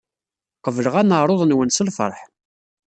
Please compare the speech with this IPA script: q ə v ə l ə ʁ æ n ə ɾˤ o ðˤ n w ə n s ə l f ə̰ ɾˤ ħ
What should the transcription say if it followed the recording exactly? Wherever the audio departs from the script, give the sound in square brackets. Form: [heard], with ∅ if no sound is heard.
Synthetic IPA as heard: q ə v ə l ə ʁ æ n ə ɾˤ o ðˤ n w ə n s ə l f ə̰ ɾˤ ħ